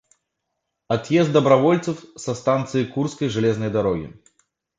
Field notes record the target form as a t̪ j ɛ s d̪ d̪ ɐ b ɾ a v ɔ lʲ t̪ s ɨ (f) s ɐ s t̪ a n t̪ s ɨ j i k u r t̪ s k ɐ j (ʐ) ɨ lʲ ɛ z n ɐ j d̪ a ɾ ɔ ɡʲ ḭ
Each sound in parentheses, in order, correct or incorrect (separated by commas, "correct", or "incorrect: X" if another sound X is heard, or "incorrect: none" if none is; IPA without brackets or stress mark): correct, correct